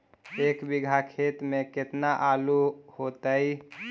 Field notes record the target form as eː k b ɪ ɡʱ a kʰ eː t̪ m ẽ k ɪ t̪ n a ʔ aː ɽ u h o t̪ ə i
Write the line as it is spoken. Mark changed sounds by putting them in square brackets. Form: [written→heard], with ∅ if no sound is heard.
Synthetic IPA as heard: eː k b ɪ ɡʱ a kʰ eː t̪ m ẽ k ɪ t̪ n a ʔ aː [ɽ→l] u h o t̪ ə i